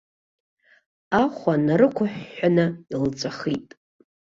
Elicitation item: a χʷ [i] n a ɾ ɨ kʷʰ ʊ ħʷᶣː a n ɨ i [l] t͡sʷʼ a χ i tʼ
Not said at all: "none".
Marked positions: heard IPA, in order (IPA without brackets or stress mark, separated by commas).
a, l